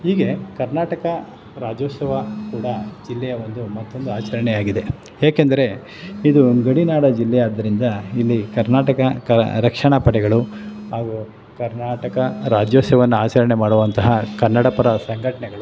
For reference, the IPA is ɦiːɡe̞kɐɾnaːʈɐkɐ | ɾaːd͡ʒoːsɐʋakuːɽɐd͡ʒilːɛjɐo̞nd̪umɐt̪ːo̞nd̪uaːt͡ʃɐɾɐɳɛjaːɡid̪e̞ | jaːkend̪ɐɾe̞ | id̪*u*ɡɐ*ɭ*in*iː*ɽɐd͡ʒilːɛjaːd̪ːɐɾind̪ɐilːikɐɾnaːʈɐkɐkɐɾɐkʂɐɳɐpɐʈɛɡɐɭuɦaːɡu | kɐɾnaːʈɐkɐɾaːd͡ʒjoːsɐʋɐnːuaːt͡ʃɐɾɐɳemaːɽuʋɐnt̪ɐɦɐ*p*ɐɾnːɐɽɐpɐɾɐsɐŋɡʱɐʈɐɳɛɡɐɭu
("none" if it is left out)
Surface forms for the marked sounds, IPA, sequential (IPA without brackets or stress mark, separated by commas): u, ɽ, aː, k